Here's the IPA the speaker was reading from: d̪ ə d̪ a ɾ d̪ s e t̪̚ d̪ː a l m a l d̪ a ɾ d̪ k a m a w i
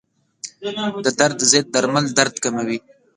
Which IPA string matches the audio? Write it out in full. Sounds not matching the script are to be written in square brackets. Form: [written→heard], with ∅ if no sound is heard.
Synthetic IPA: d̪ ə d̪ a ɾ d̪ [s→z] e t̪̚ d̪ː a [l→ɾ] m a l d̪ a ɾ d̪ k a m a w i